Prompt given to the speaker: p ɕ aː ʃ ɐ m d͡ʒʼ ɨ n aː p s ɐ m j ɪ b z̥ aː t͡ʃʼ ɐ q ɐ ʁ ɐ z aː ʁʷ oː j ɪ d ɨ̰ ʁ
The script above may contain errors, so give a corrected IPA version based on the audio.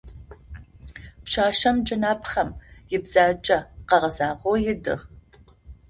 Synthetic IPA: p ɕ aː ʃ ɐ m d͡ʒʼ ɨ n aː p χ ɐ m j ɪ b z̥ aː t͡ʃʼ ɐ q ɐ ʁ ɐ z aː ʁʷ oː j ɪ d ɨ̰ ʁ